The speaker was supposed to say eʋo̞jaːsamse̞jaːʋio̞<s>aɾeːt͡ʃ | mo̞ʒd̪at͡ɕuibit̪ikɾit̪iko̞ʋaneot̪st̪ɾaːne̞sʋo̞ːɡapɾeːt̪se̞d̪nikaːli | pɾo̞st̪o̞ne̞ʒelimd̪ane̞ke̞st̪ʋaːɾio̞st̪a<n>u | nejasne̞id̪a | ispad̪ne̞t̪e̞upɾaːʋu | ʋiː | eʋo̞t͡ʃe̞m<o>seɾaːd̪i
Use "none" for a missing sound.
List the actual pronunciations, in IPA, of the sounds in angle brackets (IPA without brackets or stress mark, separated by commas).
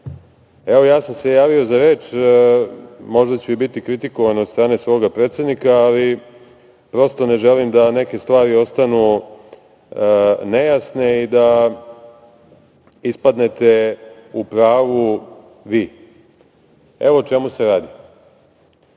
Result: z, n, u